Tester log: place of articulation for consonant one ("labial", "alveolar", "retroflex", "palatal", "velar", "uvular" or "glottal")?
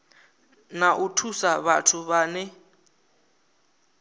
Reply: alveolar